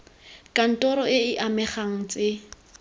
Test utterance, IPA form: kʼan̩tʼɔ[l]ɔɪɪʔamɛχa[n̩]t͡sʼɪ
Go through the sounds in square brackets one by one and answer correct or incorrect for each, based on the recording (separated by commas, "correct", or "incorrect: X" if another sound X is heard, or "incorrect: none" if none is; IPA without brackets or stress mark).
incorrect: ɾ, incorrect: ŋ̩